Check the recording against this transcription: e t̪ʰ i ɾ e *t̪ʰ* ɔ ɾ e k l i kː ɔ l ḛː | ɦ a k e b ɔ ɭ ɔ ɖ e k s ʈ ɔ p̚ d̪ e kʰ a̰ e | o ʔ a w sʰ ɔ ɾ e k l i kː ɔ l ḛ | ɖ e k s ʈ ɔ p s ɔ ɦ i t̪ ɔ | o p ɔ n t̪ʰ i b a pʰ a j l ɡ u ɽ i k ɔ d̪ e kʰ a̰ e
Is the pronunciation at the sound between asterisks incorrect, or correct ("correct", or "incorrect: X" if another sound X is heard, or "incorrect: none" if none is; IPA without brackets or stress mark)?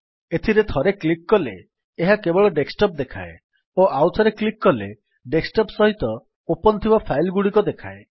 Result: correct